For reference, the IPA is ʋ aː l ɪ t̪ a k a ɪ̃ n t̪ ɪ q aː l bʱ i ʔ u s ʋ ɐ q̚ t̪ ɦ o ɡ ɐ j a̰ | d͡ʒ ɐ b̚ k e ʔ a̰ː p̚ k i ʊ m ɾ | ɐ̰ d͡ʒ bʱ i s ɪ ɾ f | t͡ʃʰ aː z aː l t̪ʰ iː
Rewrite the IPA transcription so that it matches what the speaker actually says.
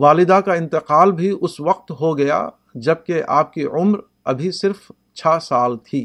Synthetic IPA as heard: ʋ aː l ɪ d̪ a k a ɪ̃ n t̪ ɪ q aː l bʱ i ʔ ʊ s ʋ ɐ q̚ t̪ ɦ o ɡ ɐ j a̰ | d͡ʒ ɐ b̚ k e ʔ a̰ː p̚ k i ʊ m ɾ | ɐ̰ bʱ i s ɪ ɾ f | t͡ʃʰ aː s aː l t̪ʰ iː